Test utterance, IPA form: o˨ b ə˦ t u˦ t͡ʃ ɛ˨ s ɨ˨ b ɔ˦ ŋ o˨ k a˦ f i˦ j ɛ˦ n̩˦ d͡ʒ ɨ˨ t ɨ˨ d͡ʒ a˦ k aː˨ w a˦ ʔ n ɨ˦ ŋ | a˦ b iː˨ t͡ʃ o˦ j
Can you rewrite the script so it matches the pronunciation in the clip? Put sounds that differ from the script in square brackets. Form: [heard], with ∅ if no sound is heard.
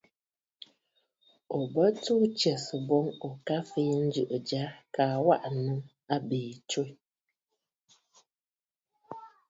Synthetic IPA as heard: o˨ b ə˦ t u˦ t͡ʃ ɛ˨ s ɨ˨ b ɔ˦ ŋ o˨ k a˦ f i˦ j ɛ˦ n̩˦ d͡ʒ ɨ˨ [ʔ] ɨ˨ d͡ʒ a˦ k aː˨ w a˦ ʔ n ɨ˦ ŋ | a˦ b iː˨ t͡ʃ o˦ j